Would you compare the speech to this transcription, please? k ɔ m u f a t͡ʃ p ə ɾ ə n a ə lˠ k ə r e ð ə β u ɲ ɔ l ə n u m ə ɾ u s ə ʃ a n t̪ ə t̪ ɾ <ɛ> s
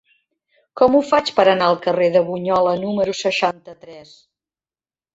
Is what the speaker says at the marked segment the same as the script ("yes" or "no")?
yes